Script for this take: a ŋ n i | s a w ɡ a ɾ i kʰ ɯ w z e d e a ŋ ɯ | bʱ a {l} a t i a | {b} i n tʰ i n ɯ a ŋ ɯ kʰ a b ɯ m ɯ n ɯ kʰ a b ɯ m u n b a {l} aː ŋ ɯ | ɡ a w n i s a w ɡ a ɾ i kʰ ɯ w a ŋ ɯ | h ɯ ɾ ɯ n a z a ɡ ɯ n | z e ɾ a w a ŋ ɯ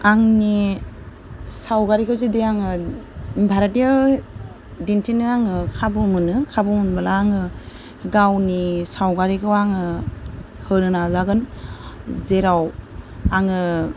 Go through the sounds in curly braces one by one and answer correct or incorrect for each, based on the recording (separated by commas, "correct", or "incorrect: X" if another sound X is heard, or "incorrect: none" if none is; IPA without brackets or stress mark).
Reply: incorrect: ɾ, incorrect: d, correct